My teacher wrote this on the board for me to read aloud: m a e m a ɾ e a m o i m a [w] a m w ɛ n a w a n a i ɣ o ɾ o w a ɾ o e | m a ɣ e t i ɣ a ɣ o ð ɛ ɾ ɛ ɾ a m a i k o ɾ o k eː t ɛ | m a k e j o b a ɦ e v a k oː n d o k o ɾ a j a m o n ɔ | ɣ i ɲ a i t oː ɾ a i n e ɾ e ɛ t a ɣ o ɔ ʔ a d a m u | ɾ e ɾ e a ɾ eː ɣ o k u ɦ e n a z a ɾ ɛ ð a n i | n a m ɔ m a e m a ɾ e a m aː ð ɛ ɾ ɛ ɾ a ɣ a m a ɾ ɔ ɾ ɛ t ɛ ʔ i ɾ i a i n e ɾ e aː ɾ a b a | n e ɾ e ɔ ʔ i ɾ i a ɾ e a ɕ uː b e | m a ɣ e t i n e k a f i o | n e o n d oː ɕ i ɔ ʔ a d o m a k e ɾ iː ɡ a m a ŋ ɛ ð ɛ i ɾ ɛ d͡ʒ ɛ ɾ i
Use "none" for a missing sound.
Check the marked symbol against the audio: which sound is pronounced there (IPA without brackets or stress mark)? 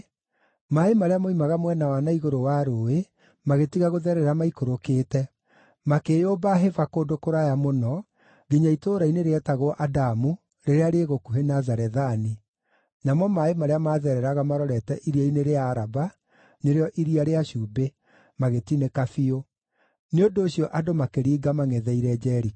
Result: ɣ